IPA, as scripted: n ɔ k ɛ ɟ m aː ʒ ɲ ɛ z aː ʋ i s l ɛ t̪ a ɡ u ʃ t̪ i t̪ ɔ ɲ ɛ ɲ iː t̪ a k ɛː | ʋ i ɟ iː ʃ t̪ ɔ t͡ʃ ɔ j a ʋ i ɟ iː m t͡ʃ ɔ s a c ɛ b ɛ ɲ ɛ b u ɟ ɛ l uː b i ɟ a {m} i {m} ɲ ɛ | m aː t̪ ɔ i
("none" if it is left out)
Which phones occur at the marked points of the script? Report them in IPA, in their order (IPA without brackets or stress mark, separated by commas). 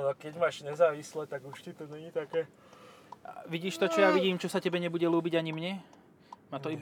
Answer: ɲ, m